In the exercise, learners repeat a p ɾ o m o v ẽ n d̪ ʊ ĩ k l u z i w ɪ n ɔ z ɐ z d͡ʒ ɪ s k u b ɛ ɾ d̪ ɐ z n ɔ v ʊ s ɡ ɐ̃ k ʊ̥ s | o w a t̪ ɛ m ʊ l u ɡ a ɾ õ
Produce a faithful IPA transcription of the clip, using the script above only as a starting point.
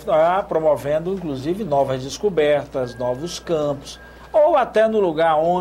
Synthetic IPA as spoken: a p ɾ o m o v ẽ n d̪ ʊ ĩ k l u z i v ɪ n ɔ v ɐ z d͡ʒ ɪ s k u b ɛ ɾ t̪ ɐ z n ɔ v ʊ s k ɐ̃ p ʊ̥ s | o w a t̪ ɛ n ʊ l u ɡ a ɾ õ

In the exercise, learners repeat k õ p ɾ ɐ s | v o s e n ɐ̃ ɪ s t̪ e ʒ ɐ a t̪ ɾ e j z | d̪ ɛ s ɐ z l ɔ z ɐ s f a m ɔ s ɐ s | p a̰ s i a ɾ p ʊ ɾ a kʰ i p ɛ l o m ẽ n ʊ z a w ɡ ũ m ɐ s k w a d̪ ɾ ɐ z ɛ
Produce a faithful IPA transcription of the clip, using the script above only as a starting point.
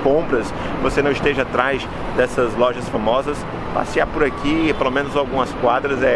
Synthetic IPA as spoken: k õ p ɾ ɐ s | v o s e n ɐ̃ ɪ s t̪ e ʒ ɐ a t̪ ɾ a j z | d̪ ɛ s ɐ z l ɔ ʒ ɐ s f a m ɔ z ɐ s | p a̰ s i a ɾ p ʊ ɾ a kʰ i p e l o m ẽ n ʊ z a w ɡ ũ m ɐ s k w a d̪ ɾ ɐ z ɛ

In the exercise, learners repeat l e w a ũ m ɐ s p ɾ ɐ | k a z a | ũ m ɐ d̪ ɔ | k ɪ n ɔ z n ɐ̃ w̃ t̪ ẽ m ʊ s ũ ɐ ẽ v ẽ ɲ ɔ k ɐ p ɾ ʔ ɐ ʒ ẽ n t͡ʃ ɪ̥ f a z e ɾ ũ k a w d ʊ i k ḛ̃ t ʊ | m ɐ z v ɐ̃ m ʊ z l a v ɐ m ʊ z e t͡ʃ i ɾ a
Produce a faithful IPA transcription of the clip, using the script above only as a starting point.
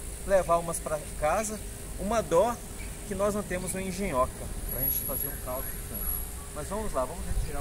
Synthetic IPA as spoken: l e v a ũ m ɐ s p ɾ ɐ | k a z ɐ | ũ m ɐ d̪ ɔ | k ɪ n ɔ z n ɐ̃ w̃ t̪ ẽ m ʊ z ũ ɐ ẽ ʒ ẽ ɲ ɔ k ɐ p ɾ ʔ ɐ ʒ ẽ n t͡ʃ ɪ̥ f a z e ɾ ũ k a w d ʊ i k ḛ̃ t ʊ | m ɐ z v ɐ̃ m ʊ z l a v ɐ̃ m ʊ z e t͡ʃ i ɾ a

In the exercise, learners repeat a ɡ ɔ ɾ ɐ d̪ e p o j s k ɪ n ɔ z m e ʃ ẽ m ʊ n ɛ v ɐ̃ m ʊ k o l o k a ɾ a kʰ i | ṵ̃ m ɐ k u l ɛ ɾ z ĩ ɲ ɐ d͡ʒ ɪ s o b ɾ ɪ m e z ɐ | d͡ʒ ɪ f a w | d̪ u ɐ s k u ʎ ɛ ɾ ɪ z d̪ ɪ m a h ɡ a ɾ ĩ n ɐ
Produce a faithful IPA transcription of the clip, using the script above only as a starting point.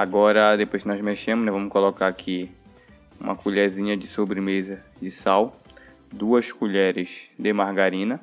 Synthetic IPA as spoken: a ɡ ɔ ɾ ɐ d̪ e p o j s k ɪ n ɔ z m e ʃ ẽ m ʊ n ɛ v ɐ̃ m ʊ k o l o k a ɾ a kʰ i | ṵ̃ m ɐ k u ʎ ɛ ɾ z ĩ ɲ ɐ d͡ʒ ɪ s o b ɾ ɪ m e z ɐ | d͡ʒ ɪ s a w | d̪ u ɐ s k u ʎ ɛ ɾ ɪ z d̪ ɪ m a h ɡ a ɾ ĩ n ɐ

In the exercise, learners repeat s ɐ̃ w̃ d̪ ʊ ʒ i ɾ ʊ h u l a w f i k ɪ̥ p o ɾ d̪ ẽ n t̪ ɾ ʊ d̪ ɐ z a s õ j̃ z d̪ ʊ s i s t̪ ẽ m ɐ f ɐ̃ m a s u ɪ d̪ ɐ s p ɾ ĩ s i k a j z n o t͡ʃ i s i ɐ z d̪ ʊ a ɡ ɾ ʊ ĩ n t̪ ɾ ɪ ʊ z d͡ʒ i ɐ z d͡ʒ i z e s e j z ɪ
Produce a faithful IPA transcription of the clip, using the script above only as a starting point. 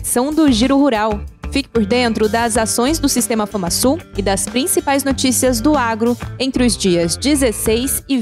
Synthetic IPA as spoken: s ɐ̃ w̃ d̪ ʊ ʒ i ɾ ʊ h u ɾ a w f i k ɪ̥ p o ɾ d̪ ẽ n t̪ ɾ ʊ d̪ ɐ z a s õ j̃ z d̪ ʊ s i s t̪ ẽ m ɐ f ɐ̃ m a s u ɪ d̪ ɐ s p ɾ ĩ s i p a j z n o t͡ʃ i s i ɐ z d̪ ʊ a ɡ ɾ ʊ ẽ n t̪ ɾ ɪ ʊ z d͡ʒ i ɐ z d͡ʒ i z e s e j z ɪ

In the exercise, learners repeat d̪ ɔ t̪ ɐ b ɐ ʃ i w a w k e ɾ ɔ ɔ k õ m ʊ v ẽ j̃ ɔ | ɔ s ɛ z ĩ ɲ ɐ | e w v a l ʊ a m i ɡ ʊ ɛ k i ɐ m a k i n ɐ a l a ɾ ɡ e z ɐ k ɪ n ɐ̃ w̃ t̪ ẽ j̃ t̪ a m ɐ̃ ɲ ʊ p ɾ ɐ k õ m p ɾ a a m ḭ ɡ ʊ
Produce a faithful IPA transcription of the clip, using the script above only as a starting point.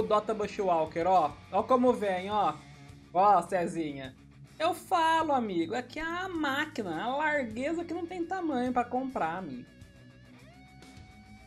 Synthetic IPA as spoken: d̪ ɔ t̪ ɐ b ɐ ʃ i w a w k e ɾ ɔ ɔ k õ m ʊ v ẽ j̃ ɔ | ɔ s ɛ z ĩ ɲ ɐ | e w f a l ʊ a m i ɡ ʊ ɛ k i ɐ m a k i n ɐ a l a ɾ ɡ e z ɐ k ɪ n ɐ̃ w̃ t̪ ẽ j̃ t̪ a m ɐ̃ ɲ ʊ p ɾ ɐ k õ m p ɾ a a m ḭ ɡ ʊ

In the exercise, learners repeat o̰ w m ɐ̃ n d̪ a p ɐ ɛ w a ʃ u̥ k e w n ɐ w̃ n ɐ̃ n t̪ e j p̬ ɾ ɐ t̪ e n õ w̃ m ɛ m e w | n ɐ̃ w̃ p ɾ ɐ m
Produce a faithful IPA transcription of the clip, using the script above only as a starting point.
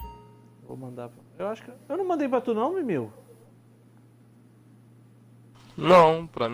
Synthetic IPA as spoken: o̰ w m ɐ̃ n d̪ a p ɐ e w a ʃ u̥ k e w n ɐ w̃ m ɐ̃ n d̪ e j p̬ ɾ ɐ t̪ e n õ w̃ m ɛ m e w | n ɐ̃ w̃ p ɾ ɐ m

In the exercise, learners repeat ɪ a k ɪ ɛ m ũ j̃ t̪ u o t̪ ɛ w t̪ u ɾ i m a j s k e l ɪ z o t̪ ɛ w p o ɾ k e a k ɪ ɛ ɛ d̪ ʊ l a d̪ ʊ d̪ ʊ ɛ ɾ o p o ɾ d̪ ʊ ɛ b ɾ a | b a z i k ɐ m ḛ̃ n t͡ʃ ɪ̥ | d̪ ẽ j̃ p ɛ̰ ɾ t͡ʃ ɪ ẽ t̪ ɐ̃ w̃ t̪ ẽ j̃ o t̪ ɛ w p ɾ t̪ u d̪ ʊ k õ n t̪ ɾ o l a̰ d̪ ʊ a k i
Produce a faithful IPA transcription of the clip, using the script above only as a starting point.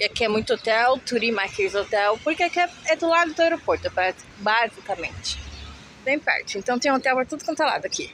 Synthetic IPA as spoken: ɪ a k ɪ ɛ m ũ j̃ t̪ ʊ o t̪ ɛ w t̪ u ɾ i m a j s k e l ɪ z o t̪ ɛ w p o ɾ k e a k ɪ ɛ ɛ d̪ ʊ l a d̪ ʊ d̪ ʊ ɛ ɾ o p o ɾ t̪ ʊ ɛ p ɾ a | b a z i k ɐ m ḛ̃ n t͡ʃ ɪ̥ | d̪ ẽ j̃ p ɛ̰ ɾ t͡ʃ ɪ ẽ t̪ ɐ̃ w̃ t̪ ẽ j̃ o t̪ ɛ w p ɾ t̪ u d̪ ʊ k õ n t̪ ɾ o l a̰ d̪ ʊ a k i

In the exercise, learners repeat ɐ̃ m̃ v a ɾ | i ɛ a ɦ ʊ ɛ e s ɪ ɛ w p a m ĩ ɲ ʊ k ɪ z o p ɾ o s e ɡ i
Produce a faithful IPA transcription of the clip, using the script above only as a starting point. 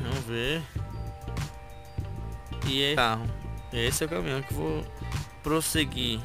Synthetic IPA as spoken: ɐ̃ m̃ v e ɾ | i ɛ a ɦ ʊ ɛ e s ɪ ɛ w k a m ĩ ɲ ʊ k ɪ v o p ɾ o s e ɡ i

